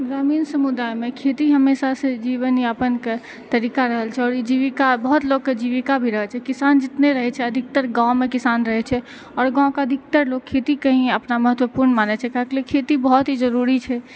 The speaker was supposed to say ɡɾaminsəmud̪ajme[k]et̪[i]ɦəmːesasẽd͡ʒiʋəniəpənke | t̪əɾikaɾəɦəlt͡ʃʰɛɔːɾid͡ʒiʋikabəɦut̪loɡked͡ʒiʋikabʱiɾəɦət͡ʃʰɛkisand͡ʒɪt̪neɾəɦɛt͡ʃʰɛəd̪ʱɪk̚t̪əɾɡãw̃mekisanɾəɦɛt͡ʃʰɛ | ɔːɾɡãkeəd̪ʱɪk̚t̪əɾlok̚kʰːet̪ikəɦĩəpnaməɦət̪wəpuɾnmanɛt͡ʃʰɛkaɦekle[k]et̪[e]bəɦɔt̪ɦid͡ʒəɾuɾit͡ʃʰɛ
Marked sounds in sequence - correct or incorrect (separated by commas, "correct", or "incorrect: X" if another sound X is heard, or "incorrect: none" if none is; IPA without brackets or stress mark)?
incorrect: kʰ, correct, incorrect: kʰ, incorrect: i